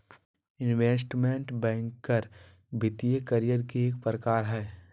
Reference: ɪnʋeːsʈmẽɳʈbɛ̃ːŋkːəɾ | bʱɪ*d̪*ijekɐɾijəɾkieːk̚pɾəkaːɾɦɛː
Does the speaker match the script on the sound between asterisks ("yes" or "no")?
no